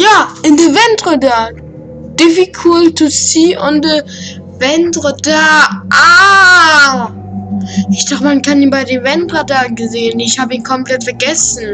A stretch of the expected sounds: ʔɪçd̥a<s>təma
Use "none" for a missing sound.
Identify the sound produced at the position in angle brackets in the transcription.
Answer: χ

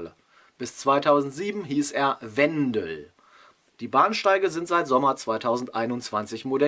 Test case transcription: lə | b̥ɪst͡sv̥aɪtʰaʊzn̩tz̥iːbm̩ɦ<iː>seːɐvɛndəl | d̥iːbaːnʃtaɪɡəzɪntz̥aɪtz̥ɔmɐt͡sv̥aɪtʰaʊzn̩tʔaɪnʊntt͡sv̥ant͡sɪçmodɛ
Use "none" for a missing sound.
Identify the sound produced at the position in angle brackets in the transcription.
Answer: iː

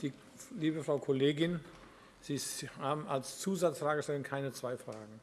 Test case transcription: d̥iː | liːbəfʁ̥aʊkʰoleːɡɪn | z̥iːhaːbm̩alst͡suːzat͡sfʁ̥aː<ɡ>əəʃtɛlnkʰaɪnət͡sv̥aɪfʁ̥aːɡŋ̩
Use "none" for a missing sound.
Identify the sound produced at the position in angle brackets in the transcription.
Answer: ɡ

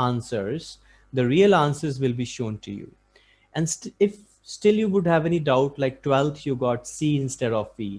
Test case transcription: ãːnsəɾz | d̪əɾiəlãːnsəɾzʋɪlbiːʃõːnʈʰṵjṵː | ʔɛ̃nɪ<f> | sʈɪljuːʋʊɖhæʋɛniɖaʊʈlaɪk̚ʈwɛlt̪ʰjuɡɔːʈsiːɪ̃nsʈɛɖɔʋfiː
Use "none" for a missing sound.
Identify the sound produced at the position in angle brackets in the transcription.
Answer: f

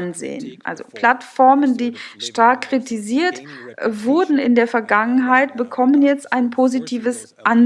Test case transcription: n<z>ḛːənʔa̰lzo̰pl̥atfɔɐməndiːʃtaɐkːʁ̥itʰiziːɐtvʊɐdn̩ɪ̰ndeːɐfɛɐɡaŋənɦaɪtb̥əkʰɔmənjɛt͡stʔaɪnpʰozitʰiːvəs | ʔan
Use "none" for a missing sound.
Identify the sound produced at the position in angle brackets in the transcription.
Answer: z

